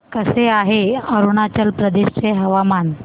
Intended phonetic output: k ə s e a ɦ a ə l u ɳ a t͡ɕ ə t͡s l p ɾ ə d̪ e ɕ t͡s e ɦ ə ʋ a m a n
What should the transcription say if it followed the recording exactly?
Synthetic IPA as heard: k ə s e a ɦ e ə ɾ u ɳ a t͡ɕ ə l p ɾ ə d̪ e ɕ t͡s e ɦ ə ʋ a m a n